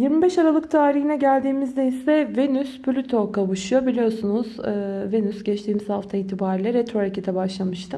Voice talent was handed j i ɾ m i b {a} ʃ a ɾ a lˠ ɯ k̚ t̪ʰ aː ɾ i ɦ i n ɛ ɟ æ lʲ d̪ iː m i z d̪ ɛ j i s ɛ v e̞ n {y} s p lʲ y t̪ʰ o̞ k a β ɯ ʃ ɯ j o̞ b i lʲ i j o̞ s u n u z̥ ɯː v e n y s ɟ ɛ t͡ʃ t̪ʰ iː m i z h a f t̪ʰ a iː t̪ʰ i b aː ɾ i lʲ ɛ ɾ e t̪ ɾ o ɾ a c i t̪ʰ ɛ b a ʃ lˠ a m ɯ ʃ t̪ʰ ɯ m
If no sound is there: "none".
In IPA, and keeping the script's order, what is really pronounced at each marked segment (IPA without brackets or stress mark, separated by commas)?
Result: ɛ, y